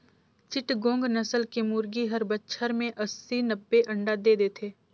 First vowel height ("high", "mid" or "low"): high